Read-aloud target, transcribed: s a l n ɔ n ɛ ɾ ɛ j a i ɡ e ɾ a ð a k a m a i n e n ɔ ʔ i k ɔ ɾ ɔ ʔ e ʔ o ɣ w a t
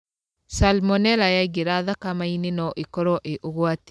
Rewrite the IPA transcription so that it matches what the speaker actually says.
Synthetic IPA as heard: s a l m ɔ n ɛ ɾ a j a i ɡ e ɾ a ð a k a m a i n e n ɔ ʔ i k ɔ ɾ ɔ ʔ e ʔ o ɣ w a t